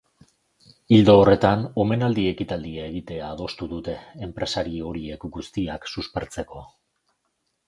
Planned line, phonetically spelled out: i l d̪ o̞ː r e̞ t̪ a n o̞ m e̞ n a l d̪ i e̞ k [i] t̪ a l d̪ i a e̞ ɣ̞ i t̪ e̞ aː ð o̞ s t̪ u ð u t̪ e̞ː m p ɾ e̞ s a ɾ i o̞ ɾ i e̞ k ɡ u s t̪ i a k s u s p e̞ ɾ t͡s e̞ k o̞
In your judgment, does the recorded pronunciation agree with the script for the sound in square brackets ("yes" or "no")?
yes